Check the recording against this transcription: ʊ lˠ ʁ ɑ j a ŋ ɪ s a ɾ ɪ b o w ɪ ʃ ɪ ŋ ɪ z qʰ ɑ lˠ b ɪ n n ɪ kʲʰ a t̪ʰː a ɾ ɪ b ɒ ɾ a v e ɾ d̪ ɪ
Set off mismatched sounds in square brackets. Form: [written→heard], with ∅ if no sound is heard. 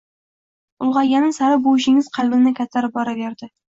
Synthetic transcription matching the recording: ʊ lˠ ʁ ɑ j a [ŋ→n] ɪ s a ɾ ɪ b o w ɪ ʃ ɪ ŋ ɪ z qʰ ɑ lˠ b ɪ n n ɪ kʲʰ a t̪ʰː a ɾ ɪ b ɒ ɾ a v e ɾ d̪ ɪ